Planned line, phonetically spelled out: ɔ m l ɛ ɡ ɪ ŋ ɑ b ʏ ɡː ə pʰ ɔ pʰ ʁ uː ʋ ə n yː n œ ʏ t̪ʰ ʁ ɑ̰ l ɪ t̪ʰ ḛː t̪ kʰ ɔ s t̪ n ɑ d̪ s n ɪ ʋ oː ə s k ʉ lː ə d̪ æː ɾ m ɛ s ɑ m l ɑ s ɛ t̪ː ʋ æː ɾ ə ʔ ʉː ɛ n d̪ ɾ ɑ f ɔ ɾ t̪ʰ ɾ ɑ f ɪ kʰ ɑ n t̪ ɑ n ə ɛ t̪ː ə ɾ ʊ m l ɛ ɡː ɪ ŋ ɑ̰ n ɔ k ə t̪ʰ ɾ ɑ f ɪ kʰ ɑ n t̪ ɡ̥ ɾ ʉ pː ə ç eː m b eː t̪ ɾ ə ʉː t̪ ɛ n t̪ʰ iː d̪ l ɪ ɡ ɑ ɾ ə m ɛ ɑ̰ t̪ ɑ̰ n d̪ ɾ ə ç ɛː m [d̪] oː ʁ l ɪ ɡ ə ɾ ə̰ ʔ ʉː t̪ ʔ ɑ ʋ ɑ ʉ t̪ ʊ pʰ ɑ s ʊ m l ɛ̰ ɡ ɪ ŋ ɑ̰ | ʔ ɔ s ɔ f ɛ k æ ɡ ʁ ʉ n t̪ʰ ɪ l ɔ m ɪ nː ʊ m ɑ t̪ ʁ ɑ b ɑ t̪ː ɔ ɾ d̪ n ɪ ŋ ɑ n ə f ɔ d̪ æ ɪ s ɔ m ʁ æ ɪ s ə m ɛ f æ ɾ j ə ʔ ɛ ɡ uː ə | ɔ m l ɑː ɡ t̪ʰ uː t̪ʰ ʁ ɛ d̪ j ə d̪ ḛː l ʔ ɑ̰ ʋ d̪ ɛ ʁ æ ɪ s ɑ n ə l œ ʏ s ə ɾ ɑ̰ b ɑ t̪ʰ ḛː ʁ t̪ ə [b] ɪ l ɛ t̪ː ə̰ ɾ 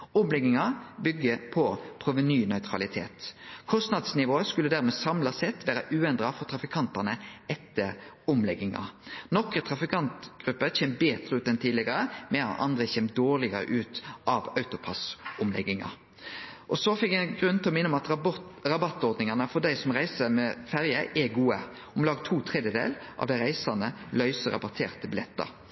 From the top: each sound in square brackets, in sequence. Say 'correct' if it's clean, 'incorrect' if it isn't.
correct, correct

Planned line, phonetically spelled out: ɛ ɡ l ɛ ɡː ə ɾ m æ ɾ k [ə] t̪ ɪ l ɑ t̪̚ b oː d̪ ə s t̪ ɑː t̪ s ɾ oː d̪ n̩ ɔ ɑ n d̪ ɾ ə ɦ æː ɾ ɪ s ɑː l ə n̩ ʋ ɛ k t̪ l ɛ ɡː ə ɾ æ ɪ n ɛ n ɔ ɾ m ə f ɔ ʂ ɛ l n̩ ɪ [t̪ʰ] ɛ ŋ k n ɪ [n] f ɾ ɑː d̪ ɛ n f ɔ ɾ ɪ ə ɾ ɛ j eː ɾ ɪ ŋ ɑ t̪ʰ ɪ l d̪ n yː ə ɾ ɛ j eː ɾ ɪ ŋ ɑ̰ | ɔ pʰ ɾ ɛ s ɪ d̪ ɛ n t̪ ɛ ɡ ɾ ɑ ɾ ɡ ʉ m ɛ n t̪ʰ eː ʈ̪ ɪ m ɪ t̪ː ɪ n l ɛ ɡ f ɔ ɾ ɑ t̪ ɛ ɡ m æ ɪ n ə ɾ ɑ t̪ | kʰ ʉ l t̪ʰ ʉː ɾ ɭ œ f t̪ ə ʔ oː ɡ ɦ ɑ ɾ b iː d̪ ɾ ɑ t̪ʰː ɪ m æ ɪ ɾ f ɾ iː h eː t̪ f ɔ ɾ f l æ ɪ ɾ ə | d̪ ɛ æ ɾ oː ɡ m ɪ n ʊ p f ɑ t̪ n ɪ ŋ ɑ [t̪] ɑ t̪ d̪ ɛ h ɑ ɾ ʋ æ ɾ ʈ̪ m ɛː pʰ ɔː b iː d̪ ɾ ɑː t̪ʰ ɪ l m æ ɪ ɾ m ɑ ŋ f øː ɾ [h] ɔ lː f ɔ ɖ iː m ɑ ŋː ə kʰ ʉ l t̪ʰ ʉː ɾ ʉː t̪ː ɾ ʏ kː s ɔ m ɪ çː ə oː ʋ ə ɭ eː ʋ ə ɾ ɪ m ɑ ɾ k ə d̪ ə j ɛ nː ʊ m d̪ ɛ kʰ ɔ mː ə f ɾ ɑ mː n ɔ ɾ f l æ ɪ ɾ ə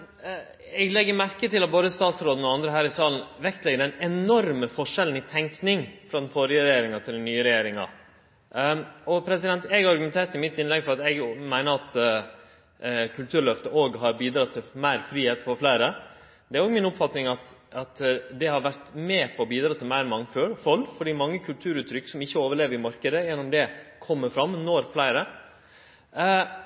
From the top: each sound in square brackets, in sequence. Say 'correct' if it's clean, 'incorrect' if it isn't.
correct, correct, incorrect, correct, incorrect

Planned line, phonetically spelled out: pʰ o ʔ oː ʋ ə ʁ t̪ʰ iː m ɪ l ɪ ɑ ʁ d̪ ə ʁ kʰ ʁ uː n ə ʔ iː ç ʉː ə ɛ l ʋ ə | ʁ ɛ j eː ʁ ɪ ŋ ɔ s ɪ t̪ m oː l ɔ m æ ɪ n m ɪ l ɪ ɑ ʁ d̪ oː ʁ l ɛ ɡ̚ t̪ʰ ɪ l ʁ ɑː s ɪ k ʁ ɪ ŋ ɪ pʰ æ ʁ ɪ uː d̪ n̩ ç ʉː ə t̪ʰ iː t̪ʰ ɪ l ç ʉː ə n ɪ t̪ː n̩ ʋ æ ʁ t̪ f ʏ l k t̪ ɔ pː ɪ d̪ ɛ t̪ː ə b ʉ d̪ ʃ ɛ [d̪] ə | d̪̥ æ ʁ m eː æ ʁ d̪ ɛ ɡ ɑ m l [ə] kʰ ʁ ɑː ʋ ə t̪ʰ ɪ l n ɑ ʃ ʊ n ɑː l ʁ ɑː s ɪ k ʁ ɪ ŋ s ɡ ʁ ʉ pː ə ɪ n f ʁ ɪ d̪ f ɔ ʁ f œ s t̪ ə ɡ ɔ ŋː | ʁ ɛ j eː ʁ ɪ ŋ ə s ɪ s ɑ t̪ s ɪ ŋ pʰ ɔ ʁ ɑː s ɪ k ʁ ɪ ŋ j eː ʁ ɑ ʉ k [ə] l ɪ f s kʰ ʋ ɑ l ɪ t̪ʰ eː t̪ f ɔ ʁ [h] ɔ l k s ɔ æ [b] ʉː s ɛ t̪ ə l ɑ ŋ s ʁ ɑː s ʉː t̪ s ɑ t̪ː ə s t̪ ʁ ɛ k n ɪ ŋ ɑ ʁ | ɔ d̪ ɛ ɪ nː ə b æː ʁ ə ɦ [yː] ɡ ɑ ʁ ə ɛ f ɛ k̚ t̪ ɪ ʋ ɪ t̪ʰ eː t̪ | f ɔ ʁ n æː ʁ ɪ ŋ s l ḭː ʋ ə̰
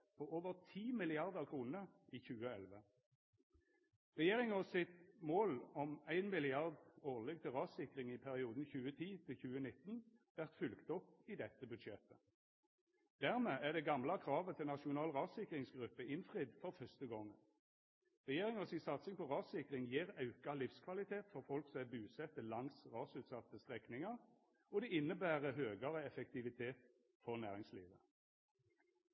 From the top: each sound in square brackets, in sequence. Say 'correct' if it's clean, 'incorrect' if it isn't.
incorrect, incorrect, incorrect, incorrect, correct, incorrect

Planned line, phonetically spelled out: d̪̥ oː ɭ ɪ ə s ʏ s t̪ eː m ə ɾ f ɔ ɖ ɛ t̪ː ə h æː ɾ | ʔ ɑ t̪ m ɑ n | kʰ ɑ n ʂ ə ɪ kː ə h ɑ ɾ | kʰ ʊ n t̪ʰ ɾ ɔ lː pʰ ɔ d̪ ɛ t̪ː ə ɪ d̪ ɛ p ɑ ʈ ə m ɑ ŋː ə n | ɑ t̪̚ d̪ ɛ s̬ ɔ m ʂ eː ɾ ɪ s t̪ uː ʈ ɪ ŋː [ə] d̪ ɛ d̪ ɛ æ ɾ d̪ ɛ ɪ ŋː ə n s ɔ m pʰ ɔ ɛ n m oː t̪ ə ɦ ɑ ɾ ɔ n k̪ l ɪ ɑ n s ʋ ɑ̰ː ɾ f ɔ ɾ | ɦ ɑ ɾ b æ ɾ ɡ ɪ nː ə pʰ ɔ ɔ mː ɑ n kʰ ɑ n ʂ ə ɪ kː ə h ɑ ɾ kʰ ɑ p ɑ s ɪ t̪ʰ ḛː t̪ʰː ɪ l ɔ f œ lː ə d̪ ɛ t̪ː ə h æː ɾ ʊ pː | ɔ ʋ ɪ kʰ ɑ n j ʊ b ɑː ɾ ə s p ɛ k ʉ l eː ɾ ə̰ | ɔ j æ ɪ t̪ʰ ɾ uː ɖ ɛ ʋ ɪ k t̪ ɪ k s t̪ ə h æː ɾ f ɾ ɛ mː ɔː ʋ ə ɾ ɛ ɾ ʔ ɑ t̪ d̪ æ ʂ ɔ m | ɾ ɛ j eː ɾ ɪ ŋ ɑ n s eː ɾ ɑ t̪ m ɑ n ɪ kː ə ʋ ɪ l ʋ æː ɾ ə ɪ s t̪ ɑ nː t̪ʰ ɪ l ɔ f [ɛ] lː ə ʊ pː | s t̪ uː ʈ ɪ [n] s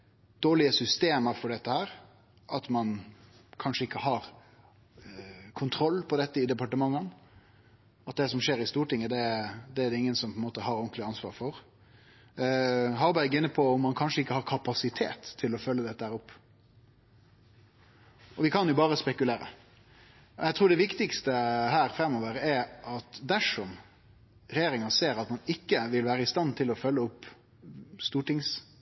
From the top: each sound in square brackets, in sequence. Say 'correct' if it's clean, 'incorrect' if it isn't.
correct, incorrect, incorrect

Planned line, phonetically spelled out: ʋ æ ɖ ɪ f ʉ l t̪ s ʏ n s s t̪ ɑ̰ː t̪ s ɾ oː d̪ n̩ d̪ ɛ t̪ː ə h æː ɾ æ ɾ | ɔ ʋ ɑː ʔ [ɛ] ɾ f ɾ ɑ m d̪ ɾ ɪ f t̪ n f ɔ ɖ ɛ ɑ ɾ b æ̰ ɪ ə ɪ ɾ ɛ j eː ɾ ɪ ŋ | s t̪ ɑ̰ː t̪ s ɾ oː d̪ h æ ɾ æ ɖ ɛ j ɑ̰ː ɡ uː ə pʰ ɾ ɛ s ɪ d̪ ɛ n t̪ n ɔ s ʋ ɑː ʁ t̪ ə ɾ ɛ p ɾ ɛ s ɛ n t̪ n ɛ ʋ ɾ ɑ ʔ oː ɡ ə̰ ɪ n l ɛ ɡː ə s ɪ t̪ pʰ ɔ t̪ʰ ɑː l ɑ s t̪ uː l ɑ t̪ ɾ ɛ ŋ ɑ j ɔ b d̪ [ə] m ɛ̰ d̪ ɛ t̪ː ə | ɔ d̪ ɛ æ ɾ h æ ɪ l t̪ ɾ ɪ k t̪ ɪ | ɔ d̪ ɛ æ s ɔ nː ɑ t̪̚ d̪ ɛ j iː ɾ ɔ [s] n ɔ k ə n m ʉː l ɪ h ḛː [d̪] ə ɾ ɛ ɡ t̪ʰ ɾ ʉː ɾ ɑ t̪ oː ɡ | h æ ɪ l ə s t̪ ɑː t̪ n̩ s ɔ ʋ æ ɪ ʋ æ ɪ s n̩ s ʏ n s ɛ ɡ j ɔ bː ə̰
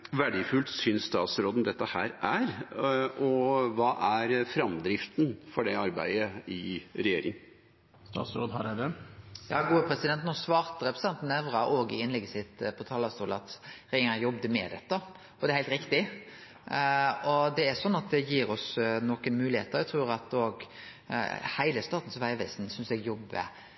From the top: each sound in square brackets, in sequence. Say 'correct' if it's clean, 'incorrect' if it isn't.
incorrect, correct, correct, incorrect

